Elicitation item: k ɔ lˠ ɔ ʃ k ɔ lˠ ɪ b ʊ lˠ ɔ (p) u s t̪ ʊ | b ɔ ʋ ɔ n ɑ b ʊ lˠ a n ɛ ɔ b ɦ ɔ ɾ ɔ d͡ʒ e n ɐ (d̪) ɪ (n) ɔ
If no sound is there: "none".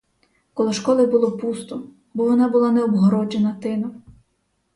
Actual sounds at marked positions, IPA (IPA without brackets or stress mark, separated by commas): p, t̪, n